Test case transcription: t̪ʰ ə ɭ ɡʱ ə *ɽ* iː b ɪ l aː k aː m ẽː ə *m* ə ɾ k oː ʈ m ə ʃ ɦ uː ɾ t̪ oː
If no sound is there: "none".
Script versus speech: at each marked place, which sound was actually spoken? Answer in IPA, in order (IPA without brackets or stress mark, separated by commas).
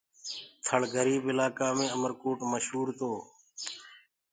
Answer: ɾ, m